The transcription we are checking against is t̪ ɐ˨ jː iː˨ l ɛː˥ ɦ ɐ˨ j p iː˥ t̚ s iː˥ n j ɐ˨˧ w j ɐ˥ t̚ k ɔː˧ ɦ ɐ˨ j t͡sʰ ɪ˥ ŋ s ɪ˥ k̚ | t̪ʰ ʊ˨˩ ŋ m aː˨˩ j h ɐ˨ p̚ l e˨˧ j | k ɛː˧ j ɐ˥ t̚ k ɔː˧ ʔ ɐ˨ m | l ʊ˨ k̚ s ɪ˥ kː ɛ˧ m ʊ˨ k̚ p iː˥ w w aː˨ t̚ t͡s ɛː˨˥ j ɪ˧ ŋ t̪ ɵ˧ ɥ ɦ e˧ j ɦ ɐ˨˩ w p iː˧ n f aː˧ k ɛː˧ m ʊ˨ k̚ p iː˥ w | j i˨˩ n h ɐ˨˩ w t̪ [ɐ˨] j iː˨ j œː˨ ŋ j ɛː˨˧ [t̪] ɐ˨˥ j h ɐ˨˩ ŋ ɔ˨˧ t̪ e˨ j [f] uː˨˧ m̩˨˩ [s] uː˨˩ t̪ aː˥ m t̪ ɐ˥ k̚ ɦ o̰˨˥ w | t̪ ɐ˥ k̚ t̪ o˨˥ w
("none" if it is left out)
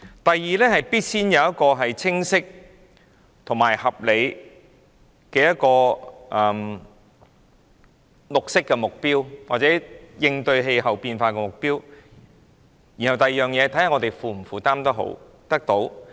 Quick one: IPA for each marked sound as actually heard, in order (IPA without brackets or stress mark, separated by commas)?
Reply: ɐ˨, t̪ʰ, f, f